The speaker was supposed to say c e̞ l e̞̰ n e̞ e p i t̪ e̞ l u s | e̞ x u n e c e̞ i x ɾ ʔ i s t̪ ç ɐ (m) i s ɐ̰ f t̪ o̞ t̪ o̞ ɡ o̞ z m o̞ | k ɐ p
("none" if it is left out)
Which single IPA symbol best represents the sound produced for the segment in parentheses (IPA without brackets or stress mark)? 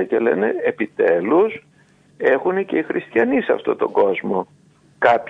n